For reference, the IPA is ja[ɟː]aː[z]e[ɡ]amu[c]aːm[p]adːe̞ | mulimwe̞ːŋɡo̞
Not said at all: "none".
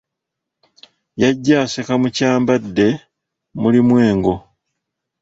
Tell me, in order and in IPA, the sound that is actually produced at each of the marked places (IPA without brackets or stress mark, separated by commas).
ɟː, s, k, c, b